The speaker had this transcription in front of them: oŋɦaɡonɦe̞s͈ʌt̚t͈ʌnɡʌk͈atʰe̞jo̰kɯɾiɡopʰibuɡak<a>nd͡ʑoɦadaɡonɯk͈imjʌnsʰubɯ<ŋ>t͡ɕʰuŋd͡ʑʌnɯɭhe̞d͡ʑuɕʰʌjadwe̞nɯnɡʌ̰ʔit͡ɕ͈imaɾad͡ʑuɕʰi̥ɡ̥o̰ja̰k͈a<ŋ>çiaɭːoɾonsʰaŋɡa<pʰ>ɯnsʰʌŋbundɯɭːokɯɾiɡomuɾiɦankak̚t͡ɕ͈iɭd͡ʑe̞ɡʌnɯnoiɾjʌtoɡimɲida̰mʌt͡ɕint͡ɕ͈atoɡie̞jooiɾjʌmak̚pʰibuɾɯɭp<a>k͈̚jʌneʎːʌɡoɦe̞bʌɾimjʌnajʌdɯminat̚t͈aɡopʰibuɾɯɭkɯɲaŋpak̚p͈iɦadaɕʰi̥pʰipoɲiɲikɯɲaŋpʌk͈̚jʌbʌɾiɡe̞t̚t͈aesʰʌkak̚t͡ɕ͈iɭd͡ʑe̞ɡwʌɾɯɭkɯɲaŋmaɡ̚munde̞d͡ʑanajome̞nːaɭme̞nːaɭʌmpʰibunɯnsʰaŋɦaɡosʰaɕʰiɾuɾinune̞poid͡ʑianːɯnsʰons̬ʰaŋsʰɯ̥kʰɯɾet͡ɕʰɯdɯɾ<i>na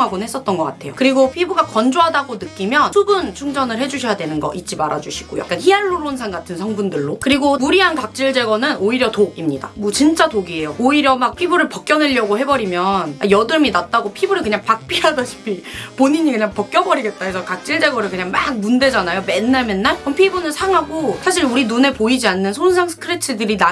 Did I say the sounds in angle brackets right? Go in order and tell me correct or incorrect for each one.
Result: incorrect, incorrect, incorrect, incorrect, incorrect, correct

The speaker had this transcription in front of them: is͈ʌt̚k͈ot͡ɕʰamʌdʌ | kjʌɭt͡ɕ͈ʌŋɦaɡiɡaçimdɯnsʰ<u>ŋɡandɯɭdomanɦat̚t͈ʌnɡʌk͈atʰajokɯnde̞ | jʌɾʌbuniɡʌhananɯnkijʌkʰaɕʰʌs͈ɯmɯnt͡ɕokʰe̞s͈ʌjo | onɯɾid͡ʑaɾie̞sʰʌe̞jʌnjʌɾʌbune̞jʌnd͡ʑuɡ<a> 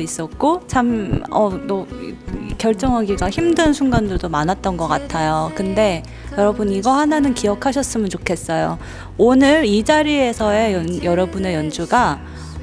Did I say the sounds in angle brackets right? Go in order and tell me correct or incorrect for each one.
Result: correct, correct

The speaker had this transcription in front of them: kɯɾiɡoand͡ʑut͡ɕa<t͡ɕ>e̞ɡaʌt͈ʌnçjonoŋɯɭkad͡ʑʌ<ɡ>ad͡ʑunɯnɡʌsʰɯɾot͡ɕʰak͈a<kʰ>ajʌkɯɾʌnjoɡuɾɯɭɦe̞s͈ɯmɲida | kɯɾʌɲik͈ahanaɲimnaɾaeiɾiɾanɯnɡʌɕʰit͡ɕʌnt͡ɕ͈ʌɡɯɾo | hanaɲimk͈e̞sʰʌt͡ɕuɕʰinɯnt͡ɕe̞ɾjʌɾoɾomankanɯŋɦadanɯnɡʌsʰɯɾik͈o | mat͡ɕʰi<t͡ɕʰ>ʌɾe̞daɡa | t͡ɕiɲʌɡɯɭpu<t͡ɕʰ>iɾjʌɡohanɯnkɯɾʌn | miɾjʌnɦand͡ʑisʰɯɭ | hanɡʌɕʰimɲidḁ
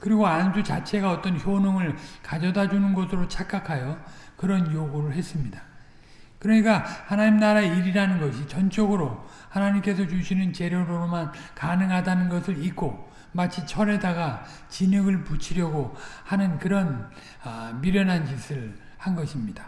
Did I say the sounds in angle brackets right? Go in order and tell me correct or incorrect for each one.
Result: incorrect, incorrect, correct, correct, correct

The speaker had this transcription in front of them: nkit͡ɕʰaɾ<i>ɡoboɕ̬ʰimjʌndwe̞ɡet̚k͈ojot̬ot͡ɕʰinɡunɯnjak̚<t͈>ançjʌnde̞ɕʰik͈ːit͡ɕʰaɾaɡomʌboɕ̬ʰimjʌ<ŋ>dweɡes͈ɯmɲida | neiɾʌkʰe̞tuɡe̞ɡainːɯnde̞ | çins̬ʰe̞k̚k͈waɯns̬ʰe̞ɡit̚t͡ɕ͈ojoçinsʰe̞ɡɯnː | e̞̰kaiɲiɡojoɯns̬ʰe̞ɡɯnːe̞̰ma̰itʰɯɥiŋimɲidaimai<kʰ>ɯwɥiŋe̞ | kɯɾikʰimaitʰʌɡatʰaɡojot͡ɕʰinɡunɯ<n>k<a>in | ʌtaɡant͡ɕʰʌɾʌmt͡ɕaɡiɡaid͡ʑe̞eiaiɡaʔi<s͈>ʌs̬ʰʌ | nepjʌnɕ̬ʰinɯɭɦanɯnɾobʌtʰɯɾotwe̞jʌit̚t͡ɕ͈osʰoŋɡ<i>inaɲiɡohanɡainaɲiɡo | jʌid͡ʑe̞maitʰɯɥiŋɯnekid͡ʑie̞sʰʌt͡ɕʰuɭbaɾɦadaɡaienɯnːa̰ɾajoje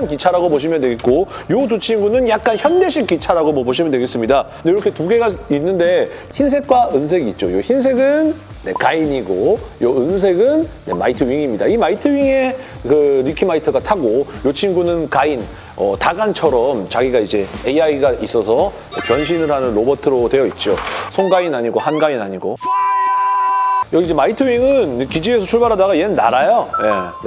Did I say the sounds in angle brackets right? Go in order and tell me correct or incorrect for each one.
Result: incorrect, incorrect, incorrect, incorrect, correct, correct, correct, incorrect

